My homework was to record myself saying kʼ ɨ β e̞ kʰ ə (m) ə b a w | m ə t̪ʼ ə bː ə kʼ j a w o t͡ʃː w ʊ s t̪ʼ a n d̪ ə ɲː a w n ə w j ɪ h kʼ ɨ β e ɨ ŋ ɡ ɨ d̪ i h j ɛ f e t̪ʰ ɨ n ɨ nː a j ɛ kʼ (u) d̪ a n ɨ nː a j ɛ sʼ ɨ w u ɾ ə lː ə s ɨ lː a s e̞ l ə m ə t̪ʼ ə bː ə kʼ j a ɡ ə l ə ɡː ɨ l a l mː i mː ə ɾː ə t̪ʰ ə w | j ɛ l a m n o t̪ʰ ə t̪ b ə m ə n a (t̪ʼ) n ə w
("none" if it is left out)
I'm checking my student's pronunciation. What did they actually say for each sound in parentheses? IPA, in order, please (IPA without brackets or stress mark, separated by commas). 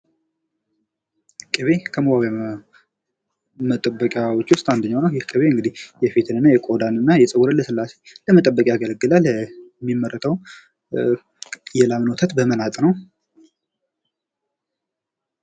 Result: m, o, t̪ʼ